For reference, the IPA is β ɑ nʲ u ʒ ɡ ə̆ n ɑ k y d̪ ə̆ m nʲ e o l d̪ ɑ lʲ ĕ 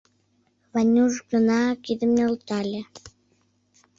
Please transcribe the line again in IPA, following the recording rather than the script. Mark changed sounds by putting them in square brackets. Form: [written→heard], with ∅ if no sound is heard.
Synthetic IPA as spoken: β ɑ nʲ u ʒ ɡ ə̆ n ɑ k [y→i] d̪ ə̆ m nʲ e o l [d̪→t̪] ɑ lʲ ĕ